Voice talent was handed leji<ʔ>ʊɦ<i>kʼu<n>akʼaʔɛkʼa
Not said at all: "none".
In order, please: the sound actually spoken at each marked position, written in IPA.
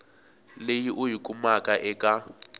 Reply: ʔ, i, m

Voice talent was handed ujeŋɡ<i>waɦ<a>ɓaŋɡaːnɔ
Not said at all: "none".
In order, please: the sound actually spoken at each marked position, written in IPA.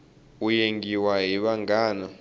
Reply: i, i

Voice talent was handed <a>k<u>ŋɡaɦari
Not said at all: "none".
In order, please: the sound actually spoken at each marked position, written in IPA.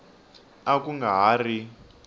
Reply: a, u

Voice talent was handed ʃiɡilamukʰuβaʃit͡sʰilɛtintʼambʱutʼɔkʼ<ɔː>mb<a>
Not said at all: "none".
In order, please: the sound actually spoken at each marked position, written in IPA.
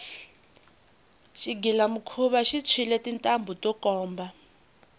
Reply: ɔː, a

